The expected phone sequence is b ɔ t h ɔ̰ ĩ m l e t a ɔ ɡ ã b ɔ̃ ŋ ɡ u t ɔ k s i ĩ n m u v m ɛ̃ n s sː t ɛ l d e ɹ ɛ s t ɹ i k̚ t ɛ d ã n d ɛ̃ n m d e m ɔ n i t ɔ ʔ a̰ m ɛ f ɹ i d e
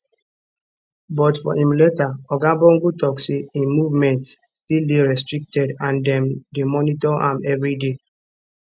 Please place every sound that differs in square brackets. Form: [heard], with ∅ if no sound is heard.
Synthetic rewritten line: b ɔ t [f] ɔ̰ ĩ m l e t a ɔ ɡ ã b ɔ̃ ŋ ɡ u t ɔ k s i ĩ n m u v m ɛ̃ n [t] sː t [i] l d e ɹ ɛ s t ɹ i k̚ t ɛ d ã n d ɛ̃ [∅] m d e m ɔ n i t ɔ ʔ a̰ m ɛ [v] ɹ i d e